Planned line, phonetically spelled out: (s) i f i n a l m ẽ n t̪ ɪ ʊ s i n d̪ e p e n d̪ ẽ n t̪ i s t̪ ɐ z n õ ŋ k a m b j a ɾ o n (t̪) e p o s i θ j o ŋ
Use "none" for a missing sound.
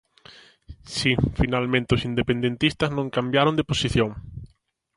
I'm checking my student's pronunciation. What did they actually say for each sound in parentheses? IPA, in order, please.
s, d̪

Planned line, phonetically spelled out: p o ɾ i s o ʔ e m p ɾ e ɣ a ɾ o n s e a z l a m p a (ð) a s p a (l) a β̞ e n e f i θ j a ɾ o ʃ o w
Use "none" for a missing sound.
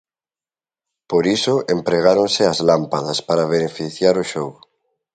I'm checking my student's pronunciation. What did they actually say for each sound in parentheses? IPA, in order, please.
ð, ɾ

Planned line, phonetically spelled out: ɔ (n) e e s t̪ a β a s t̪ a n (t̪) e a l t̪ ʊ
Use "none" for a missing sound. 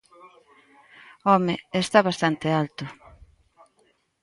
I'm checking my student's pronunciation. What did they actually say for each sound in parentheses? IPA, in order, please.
m, t̪

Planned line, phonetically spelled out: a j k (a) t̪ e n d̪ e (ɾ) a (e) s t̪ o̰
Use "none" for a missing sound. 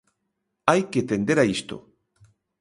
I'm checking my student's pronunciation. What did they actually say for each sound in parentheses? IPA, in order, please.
e, ɾ, i

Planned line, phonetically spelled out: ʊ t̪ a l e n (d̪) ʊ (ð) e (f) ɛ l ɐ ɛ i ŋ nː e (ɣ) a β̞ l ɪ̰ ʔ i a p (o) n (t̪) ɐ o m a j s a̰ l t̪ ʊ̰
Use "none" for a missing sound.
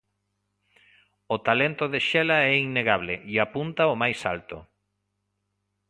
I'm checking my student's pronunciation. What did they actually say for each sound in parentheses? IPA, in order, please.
t̪, ð, ʃ, ɣ, u, t̪

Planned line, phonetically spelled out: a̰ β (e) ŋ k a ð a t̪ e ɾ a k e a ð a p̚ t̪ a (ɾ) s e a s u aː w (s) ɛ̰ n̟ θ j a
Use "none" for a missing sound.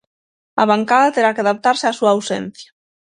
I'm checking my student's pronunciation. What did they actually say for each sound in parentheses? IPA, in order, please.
a, ɾ, s

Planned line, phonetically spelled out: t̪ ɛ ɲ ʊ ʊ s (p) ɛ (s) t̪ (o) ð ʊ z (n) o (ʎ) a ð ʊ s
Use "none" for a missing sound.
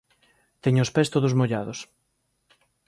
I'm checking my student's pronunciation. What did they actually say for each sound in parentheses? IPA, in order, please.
p, s, o, m, ʎ

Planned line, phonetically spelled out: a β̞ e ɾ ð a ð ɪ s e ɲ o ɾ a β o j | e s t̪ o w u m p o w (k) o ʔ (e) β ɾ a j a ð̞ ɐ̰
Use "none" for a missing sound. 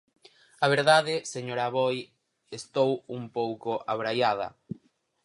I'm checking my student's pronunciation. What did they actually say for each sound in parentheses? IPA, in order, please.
k, a

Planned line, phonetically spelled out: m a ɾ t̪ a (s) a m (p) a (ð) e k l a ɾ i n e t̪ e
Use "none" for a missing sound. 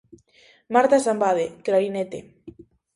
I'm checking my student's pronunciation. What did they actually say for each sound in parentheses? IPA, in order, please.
s, b, ð

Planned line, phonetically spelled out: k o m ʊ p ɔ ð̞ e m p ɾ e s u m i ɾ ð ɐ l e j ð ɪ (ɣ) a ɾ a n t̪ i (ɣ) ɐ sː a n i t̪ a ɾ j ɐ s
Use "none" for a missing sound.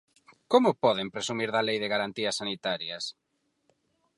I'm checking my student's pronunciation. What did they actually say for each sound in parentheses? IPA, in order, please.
ɣ, none

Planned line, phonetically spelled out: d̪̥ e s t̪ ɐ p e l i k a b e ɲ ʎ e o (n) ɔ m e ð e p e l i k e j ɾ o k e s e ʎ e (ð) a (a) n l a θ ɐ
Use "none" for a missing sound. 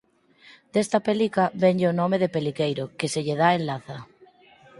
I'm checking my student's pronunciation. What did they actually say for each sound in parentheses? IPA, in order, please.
n, ð, e

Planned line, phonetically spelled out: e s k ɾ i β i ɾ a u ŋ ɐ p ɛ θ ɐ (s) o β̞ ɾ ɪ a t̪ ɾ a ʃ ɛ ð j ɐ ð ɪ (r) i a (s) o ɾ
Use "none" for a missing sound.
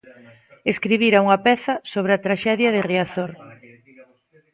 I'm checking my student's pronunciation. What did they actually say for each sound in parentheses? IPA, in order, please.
s, r, θ

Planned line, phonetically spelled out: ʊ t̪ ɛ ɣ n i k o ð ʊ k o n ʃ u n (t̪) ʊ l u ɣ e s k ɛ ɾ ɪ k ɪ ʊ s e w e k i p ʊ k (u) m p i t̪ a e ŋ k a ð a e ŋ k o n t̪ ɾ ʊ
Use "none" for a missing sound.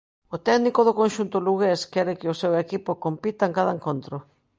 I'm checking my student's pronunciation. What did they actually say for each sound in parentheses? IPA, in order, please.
t̪, o

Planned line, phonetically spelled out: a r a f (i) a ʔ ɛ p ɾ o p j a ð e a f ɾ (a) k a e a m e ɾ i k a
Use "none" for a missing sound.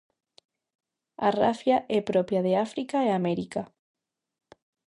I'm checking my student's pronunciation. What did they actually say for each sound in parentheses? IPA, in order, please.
j, i

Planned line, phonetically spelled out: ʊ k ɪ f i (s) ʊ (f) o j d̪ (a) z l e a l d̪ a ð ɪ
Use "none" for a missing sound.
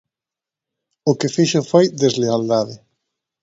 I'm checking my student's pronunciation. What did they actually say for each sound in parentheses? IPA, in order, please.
ʃ, f, e

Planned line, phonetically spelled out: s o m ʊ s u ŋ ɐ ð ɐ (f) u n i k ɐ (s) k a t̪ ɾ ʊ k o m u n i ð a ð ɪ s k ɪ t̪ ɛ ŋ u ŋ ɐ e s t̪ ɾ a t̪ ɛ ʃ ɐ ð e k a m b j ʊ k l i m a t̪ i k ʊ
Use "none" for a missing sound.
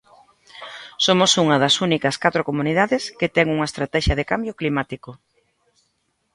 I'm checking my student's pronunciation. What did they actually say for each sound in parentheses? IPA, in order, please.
s, s

